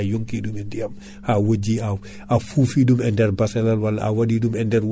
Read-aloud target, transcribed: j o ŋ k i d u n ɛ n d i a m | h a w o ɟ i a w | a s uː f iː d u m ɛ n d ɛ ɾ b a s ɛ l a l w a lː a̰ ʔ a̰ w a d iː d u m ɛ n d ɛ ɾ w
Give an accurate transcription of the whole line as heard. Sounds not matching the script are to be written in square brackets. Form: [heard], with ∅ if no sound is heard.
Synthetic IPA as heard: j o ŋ k i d u [m] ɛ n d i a m | h a w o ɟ i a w | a [f] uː f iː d u m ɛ n d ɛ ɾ b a s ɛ l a l w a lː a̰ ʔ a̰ w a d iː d u m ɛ n d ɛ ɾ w